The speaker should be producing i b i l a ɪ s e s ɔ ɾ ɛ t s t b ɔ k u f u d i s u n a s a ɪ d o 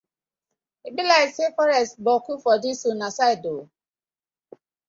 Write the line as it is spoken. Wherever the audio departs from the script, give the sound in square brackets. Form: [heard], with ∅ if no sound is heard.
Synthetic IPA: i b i l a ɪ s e [f] ɔ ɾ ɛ [∅] s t b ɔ k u f [ɔ] d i s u n a s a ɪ d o